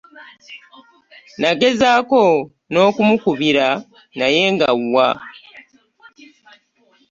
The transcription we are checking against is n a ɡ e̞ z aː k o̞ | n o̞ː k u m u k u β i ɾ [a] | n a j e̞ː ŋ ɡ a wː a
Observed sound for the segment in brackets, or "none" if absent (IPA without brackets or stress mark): a